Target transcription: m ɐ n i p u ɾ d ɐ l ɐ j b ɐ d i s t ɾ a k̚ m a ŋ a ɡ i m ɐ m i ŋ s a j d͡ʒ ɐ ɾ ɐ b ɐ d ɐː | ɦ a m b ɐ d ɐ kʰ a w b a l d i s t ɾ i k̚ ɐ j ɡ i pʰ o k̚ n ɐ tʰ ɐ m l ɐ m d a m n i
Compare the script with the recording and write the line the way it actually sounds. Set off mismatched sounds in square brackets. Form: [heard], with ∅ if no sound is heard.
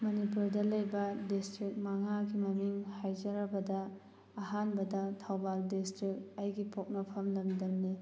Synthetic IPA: m ɐ n i p u ɾ d ɐ l ɐ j b ɐ d i s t ɾ [i] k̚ m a ŋ a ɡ i m ɐ m i ŋ [h] a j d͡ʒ ɐ ɾ ɐ b ɐ d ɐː | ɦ a [n] b ɐ d ɐ [tʰ] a w b a l d i s t ɾ i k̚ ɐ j ɡ i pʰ o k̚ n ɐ [pʰ] ɐ m l ɐ m d [ɐ] m n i